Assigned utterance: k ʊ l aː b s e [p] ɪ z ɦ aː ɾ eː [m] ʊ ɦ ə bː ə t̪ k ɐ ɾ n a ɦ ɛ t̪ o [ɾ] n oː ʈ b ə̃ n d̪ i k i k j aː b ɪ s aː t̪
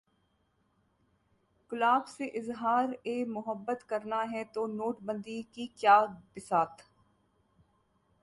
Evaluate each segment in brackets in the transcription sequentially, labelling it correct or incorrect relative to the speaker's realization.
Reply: incorrect: ʔ, correct, incorrect: none

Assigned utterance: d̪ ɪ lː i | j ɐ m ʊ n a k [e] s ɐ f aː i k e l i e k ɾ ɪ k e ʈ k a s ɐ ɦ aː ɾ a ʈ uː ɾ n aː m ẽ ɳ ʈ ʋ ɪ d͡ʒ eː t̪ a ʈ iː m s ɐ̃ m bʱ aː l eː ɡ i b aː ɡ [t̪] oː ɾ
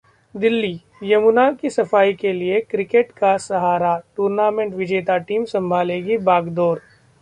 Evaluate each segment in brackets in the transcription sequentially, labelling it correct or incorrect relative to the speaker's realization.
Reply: incorrect: i, incorrect: d̪

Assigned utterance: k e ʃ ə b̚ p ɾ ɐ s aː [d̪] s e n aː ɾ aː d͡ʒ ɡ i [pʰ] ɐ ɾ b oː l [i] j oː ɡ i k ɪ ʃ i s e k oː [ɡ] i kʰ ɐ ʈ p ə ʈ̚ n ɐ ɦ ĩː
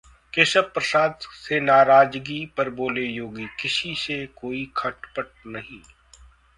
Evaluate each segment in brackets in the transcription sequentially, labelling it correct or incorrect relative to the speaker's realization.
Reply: correct, incorrect: p, incorrect: e, incorrect: none

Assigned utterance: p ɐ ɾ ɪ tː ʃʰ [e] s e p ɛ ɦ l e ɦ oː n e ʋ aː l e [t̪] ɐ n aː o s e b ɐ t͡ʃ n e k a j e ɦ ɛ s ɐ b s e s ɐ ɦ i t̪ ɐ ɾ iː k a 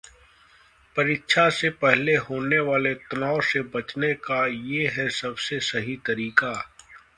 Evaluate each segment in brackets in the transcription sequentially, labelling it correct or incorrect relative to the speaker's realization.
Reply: incorrect: a, correct

